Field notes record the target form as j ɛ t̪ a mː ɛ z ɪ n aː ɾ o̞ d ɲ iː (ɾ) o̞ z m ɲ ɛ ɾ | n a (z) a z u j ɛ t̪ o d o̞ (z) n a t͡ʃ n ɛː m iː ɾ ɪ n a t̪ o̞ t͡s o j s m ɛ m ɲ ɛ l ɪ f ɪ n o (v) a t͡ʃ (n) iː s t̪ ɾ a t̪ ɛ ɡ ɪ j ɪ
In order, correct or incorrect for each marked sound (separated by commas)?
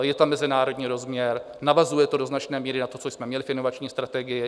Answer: correct, incorrect, correct, correct, incorrect